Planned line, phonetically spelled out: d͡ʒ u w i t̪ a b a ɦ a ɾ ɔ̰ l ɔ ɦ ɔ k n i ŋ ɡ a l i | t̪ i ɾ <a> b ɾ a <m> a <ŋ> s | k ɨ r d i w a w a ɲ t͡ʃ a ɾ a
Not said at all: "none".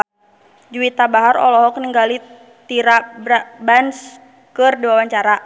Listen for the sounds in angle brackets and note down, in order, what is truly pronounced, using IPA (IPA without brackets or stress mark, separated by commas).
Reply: a, b, n